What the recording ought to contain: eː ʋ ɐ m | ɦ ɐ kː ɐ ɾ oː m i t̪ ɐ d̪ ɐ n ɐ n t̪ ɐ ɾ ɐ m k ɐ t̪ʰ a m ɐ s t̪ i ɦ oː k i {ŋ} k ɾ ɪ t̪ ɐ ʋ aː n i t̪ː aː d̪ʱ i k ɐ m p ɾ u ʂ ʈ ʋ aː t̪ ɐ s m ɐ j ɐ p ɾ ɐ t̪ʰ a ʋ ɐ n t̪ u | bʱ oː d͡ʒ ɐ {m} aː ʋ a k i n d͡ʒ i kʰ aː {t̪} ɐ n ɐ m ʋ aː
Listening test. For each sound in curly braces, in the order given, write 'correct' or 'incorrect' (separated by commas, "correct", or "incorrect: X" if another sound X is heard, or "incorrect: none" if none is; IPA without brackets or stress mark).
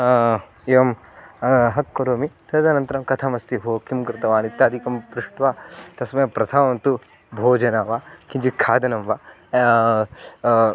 incorrect: m, incorrect: n, incorrect: d̪